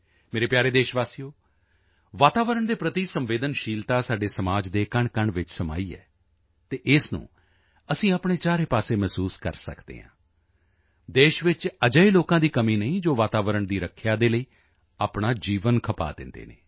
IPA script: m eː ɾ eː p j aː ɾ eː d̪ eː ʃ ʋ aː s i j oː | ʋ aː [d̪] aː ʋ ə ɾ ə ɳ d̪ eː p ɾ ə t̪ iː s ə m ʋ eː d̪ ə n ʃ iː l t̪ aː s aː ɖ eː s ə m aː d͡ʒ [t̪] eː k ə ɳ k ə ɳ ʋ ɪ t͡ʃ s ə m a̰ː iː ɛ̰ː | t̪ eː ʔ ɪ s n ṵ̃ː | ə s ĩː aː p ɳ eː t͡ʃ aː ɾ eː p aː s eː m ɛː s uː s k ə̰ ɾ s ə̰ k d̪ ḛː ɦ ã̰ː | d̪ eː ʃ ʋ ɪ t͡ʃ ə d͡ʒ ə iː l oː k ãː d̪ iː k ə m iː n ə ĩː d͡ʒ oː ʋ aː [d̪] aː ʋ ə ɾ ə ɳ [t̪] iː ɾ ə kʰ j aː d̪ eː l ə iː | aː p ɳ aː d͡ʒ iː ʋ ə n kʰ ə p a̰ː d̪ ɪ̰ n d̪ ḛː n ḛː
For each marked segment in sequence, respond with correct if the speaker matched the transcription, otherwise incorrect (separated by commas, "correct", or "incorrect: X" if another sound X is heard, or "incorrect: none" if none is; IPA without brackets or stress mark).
incorrect: t̪, incorrect: d̪, incorrect: t̪, incorrect: d̪